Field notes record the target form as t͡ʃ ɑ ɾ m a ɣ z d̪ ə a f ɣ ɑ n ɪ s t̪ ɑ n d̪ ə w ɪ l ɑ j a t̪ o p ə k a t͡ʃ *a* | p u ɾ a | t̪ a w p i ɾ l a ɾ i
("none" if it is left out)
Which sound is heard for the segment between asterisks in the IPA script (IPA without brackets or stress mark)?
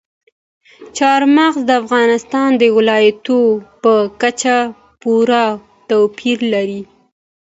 a